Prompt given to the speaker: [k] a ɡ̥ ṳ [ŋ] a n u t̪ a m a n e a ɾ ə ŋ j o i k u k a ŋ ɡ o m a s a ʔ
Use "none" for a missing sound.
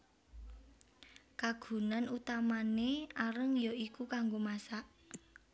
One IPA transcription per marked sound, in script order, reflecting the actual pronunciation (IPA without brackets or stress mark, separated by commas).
k, n